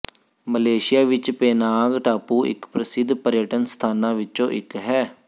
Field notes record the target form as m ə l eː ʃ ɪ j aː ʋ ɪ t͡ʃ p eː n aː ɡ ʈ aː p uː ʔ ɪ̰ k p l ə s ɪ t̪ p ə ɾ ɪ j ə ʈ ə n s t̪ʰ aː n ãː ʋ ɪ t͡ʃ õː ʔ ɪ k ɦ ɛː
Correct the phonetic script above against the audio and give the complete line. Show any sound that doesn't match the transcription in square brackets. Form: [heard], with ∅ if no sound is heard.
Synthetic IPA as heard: m ə l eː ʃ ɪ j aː ʋ ɪ t͡ʃ p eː n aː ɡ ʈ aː p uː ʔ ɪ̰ k p [ɾ] ə s ɪ [d̪] p ə ɾ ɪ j ə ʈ ə n s t̪ʰ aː n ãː ʋ ɪ t͡ʃ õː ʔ ɪ k ɦ ɛː